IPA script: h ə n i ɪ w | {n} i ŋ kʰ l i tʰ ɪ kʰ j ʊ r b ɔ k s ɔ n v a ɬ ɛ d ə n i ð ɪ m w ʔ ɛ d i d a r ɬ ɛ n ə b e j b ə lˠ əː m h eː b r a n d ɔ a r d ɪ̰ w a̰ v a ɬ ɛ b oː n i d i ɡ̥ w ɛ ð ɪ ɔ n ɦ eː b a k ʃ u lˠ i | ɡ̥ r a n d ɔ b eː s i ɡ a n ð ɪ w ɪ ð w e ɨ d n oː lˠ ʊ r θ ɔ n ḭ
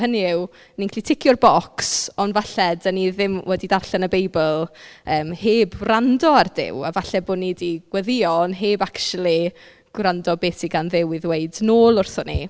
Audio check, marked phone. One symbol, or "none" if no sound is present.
n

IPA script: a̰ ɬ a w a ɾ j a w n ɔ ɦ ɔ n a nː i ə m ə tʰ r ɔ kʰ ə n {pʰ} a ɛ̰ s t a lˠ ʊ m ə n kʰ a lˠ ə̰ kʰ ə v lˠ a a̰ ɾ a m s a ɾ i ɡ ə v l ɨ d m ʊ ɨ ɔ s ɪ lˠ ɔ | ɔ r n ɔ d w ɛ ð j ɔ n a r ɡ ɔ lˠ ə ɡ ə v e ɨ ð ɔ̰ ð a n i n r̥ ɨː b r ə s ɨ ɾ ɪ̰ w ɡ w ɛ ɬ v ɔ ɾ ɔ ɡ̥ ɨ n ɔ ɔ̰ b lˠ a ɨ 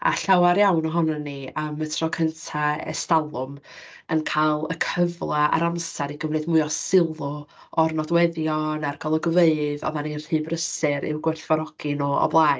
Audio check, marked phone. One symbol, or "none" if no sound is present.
tʰ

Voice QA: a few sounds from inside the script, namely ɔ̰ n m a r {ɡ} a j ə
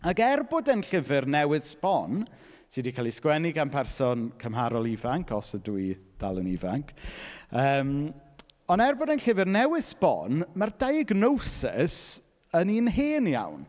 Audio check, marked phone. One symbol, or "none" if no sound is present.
d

